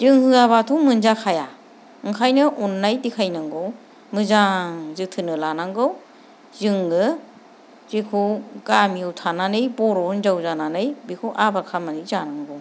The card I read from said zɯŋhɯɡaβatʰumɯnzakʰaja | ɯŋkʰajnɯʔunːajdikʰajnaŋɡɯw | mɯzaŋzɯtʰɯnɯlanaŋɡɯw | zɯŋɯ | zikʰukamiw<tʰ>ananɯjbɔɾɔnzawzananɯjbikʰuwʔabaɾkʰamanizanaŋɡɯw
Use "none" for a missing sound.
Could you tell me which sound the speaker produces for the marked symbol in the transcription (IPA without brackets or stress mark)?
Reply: tʰ